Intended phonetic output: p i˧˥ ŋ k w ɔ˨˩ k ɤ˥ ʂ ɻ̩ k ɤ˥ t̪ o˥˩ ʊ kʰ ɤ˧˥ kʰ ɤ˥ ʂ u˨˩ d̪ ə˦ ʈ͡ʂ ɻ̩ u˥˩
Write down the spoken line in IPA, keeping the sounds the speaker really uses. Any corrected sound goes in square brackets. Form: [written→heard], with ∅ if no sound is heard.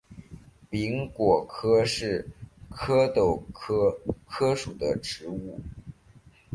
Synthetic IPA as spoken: p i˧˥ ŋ k w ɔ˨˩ [k→kʰ] ɤ˥ ʂ ɻ̩ [k→kʰ] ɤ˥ t̪ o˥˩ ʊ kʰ [ɤ˧˥→ɤ˥] kʰ ɤ˥ ʂ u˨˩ d̪ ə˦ ʈ͡ʂ ɻ̩ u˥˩